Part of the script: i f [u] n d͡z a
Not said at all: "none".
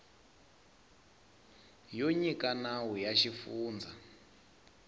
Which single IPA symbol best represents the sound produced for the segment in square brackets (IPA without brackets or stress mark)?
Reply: uː